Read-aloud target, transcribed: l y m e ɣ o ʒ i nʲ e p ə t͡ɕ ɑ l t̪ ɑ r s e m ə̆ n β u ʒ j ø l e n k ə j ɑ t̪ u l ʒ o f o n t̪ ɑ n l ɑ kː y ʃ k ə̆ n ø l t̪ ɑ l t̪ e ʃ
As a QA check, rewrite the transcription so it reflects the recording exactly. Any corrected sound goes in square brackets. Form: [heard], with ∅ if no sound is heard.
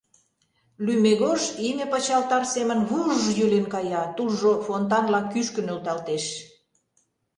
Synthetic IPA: l y m e ɣ o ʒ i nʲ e p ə t͡ɕ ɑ l t̪ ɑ r s e m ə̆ n β u ʒ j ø l e n k [ɑ] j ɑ t̪ u l ʒ o f o n t̪ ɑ n l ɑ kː y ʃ k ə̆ n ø l t̪ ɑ l t̪ e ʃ